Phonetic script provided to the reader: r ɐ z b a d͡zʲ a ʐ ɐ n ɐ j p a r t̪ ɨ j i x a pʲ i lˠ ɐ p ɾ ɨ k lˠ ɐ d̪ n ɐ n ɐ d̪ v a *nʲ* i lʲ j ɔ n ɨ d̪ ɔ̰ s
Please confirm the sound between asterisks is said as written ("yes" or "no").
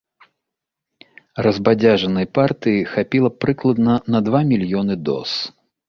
no